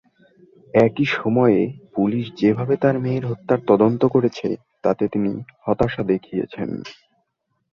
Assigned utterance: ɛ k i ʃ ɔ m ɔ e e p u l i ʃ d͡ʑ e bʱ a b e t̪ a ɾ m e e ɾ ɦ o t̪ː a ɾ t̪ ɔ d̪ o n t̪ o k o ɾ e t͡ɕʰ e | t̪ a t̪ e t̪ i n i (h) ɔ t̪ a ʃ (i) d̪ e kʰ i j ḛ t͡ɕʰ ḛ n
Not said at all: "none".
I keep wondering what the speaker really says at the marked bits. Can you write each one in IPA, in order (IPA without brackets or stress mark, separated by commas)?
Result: h, a